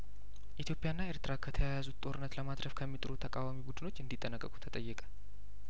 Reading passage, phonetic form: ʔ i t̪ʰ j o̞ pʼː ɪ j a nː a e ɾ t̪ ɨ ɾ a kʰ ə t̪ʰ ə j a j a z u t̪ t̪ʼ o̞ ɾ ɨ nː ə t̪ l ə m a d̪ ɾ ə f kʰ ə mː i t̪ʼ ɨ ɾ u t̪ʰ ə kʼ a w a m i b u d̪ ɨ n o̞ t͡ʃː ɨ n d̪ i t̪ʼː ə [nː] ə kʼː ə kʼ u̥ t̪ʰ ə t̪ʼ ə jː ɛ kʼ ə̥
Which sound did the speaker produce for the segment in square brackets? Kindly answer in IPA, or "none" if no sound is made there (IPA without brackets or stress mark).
n